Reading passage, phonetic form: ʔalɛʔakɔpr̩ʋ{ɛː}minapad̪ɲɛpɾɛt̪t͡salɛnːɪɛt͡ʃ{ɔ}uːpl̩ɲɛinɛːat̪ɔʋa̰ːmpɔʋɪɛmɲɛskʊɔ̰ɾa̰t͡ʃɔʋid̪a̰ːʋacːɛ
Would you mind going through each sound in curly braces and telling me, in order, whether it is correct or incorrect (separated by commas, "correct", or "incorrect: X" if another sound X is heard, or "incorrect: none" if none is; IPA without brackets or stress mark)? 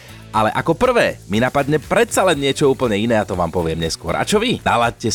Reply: correct, correct